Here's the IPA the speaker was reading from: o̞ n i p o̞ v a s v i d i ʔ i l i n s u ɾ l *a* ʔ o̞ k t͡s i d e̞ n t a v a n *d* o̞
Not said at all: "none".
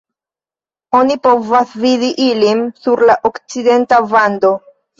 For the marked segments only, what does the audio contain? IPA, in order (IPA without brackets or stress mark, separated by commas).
a, d